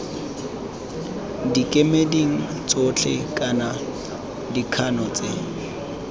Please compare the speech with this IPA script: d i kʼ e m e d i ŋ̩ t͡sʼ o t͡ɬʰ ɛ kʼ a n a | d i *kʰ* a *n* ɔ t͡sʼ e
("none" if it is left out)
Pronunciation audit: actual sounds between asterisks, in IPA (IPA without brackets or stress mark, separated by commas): kʰ, n